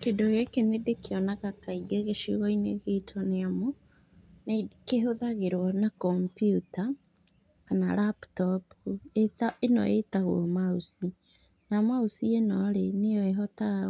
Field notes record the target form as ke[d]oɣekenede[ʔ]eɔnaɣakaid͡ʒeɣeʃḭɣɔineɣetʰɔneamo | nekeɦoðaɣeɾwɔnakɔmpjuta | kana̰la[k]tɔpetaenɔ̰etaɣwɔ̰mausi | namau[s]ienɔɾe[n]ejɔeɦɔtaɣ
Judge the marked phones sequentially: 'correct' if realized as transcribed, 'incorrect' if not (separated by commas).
correct, incorrect, incorrect, correct, correct